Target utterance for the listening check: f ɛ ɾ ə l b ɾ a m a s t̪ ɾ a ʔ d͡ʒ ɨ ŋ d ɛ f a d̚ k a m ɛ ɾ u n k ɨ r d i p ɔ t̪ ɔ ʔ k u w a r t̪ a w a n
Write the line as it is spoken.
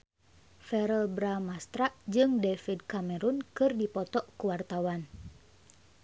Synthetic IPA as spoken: f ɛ ɾ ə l b ɾ a m a s t̪ ɾ a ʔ d͡ʒ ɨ ŋ d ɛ f i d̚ k a m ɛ ɾ u n k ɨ r d i p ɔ t̪ ɔ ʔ k u w a r t̪ a w a n